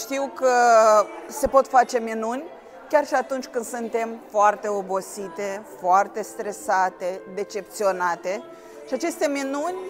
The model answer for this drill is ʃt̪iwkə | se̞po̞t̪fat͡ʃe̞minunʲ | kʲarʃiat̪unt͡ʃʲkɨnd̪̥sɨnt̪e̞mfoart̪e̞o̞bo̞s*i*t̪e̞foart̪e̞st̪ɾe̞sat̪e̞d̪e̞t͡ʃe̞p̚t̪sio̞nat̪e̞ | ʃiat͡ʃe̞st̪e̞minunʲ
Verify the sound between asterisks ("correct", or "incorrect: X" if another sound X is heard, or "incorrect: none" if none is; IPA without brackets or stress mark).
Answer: correct